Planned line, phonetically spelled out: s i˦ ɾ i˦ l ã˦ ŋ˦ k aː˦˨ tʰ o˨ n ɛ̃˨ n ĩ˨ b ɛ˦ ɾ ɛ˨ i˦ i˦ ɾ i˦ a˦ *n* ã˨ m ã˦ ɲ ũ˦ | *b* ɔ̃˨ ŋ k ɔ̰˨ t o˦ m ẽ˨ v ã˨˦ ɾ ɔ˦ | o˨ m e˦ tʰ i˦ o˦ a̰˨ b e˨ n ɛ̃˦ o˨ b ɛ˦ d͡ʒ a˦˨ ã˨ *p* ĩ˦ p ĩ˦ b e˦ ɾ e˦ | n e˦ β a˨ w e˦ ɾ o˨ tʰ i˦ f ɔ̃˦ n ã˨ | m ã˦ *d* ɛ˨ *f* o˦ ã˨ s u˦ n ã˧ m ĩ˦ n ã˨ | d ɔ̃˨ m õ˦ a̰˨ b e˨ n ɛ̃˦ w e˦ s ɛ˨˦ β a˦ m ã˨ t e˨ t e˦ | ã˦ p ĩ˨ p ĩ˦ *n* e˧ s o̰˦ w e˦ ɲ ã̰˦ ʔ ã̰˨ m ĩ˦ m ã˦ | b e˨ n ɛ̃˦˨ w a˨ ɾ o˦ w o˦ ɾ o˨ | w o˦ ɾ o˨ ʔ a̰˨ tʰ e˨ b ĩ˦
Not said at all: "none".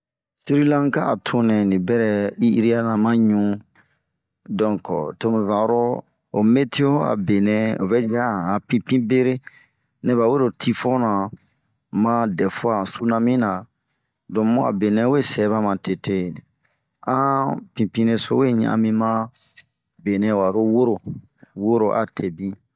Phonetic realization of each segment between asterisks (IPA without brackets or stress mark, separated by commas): n, d, p, d, f, n